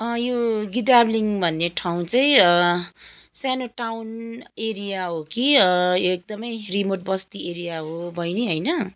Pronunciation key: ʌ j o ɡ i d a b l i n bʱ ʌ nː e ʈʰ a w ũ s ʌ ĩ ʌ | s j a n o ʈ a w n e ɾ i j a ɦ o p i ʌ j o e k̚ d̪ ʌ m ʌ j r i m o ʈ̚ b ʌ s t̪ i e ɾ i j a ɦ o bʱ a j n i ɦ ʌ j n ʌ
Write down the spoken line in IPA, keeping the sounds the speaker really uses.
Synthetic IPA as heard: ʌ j o ɡ i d a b l i ŋ bʱ ʌ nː e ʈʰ a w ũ t͡s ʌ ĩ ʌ | s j a n o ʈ a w n e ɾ i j a ɦ o k i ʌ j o e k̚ d̪ ʌ m ʌ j r i m o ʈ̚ b ʌ s t̪ i e ɾ i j a ɦ o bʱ ʌ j n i ɦ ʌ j n ʌ